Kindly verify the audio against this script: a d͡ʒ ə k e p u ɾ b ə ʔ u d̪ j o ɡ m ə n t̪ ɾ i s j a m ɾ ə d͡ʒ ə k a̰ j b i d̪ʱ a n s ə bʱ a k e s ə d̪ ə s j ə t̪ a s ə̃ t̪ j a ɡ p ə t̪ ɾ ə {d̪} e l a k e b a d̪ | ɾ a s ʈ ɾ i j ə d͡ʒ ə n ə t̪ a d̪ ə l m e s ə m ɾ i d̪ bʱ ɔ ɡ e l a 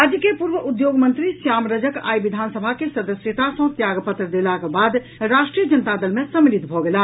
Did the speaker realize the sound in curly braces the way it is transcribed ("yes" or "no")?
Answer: yes